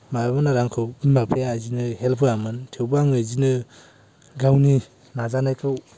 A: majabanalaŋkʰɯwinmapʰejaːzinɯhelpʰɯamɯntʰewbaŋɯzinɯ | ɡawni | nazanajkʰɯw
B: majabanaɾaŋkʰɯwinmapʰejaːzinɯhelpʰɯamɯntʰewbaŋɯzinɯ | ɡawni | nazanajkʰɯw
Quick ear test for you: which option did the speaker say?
B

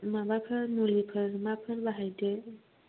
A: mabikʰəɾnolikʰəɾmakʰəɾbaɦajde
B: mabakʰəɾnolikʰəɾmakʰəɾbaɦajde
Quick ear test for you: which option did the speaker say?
B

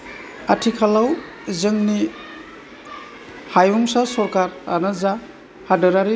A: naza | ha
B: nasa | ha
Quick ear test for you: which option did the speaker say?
A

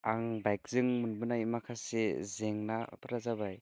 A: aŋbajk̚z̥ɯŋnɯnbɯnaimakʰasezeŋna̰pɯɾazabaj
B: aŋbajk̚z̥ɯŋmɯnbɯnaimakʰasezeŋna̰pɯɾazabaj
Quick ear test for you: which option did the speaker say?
B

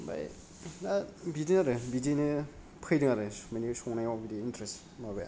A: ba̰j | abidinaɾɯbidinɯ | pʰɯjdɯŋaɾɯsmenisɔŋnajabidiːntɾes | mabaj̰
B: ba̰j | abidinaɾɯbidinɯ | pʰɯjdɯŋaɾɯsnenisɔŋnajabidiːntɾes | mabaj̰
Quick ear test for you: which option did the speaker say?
A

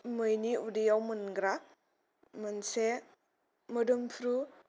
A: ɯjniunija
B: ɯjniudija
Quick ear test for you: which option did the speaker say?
B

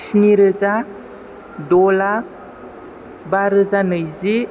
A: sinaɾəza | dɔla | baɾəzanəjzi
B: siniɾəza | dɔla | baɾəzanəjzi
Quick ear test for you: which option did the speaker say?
B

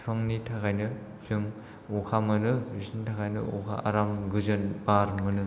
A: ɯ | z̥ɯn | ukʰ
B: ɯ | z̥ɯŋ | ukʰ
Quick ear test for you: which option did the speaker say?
B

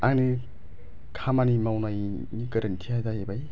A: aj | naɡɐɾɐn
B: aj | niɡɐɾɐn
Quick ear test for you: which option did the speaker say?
B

